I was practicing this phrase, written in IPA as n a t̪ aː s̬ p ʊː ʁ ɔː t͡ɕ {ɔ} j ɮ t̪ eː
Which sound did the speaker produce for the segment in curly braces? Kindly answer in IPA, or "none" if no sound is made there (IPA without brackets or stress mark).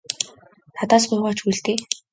u